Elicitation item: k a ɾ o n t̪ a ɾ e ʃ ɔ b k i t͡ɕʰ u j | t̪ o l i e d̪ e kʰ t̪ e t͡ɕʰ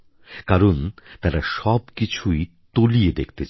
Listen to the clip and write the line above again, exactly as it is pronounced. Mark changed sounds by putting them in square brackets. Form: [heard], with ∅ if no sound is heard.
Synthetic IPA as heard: k a ɾ o n t̪ a ɾ [a] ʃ ɔ b k i t͡ɕʰ u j | t̪ o l i e d̪ e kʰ t̪ e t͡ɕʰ